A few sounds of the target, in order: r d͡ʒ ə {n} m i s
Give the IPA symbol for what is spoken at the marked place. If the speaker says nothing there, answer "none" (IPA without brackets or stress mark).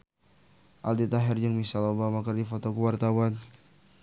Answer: ŋ